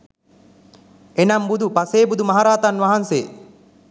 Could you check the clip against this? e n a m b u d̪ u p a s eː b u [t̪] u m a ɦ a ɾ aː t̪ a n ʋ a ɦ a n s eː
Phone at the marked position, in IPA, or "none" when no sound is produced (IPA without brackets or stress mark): d̪